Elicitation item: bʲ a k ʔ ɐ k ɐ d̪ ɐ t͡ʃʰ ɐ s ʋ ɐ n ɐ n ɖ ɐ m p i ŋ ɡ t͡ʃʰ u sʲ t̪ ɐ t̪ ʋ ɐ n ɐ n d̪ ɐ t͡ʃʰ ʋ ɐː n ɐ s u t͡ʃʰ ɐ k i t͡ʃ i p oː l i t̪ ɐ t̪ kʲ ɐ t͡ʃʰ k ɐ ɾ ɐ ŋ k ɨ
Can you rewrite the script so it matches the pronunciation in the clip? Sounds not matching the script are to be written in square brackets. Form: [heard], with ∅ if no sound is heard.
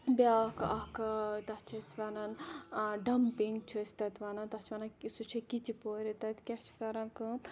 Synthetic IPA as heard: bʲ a k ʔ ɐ k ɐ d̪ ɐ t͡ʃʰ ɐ s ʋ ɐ n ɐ n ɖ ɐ m p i ŋ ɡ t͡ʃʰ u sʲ t̪ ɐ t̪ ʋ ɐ n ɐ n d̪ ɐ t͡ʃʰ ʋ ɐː n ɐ s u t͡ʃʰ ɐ k i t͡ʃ i p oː [ɾ] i t̪ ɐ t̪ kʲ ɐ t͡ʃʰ k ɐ ɾ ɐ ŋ k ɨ